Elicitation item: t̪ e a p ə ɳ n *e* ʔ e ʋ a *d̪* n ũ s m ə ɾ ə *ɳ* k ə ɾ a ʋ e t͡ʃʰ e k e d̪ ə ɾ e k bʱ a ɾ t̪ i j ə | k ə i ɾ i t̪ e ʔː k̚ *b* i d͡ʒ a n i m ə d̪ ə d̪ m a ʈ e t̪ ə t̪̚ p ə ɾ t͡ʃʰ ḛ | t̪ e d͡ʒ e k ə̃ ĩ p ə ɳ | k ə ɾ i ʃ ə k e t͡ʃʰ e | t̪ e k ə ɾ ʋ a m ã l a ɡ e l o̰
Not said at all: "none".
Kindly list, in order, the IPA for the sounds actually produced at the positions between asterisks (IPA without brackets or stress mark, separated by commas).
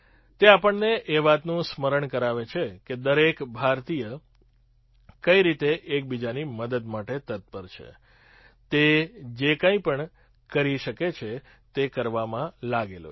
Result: e, t̪, ɳ, b